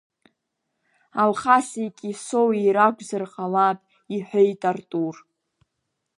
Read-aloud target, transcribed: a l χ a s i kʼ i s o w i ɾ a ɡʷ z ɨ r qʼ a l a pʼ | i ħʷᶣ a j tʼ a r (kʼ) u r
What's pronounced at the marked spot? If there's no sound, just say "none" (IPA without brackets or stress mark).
tʼ